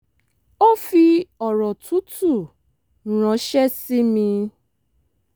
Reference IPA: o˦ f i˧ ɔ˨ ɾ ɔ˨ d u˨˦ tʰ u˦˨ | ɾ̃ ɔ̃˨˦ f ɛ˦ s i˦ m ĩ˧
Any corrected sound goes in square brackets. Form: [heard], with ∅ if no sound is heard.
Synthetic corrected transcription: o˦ f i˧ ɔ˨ ɾ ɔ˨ [t] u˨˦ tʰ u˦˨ | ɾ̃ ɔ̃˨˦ [ʃ] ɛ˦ s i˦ m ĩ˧